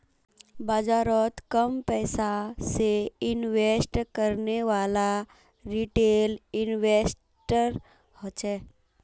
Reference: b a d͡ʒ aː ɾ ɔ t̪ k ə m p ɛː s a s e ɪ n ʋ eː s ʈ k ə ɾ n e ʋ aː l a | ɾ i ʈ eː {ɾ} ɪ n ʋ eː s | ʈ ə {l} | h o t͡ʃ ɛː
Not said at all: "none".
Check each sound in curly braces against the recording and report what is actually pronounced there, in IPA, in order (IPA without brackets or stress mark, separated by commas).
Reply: l, ɾ